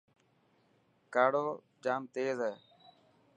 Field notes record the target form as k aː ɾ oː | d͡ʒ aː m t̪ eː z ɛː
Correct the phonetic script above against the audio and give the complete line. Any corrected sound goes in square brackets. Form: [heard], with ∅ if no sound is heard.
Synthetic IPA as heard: k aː [ɽ] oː | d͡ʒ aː m t̪ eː z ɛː